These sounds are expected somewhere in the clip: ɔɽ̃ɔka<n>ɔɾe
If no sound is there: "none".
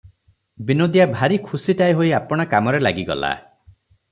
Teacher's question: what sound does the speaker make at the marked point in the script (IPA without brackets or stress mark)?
m